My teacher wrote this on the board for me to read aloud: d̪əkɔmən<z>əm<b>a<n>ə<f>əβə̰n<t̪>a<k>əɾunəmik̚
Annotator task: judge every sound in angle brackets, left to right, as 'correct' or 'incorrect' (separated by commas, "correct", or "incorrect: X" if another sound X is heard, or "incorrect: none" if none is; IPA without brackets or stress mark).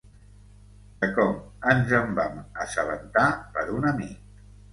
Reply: correct, correct, incorrect: m, incorrect: s, correct, incorrect: p